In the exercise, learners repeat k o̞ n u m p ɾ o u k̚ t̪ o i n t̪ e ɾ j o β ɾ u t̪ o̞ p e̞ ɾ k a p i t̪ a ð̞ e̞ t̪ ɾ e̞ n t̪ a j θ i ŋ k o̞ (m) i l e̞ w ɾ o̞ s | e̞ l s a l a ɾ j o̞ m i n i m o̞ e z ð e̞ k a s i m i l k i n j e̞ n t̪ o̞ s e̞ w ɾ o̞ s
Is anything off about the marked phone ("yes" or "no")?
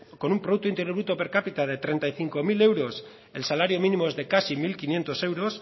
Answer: no